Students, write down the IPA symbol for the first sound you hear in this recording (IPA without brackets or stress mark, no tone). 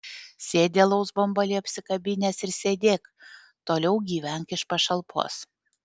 sʲ